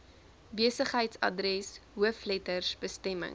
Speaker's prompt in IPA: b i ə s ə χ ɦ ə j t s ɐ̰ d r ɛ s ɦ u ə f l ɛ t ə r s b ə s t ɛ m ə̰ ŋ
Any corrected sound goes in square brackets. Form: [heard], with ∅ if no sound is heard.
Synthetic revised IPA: b i ə s ə χ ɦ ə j t s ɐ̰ d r ɛ s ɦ u ə f l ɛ t ə r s b ə s t ɛ m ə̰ ŋ

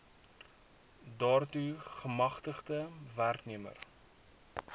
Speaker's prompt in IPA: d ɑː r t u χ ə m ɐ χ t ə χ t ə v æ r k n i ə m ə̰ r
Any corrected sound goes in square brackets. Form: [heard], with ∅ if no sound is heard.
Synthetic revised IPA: d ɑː r t u χ ə m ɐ χ t ə χ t ə v æ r k n i ə m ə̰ r

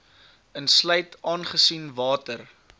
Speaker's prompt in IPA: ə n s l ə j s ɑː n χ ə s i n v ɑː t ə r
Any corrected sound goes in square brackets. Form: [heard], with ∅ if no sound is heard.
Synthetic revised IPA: ə n s l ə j [t] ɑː n χ ə s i n v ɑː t ə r

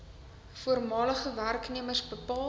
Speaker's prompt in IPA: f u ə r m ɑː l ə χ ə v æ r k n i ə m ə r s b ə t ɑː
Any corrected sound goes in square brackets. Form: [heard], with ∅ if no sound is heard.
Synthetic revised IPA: f u ə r m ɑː l ə χ ə v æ r k n i ə m ə r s b ə [p] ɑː

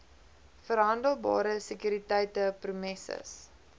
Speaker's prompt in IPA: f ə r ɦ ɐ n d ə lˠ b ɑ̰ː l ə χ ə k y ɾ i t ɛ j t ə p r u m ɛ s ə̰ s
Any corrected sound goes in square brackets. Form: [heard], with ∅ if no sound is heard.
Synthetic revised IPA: f ə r ɦ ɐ n d ə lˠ b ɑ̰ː [ɾ] ə [s] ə k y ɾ i t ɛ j t ə p r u m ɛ s ə̰ s

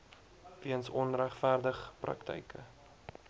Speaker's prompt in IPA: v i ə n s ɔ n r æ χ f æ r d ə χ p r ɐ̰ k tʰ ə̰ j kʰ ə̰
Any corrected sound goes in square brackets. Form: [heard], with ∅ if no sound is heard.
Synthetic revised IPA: v i ə n s ɔ n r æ χ f æ r d ə χ p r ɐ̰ k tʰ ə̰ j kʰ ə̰

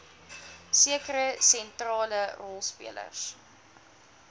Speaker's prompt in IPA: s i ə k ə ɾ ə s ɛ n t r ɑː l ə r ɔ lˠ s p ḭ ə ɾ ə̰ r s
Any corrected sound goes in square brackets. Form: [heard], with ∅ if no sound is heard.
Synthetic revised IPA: s i ə k ə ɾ ə s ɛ n t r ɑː l ə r ɔ lˠ s p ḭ ə [l] ə̰ r s

